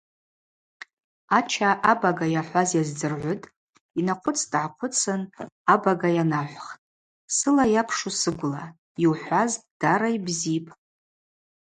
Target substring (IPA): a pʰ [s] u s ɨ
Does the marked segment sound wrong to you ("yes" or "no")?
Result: yes